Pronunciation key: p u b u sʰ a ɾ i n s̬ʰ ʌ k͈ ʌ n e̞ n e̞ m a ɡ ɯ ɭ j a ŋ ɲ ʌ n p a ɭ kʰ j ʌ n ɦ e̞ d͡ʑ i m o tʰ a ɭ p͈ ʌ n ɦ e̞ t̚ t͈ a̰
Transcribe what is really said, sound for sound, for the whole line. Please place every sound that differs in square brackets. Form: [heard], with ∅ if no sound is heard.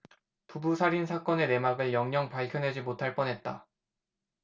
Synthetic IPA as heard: p u b u sʰ a ɾ i n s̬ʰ [a] k͈ ʌ n e̞ n e̞ m a ɡ ɯ ɭ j [ʌ] ŋ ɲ ʌ [ŋ] p a ɭ kʰ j ʌ n ɦ e̞ d͡ʑ i m o tʰ a ɭ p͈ ʌ n ɦ e̞ t̚ t͈ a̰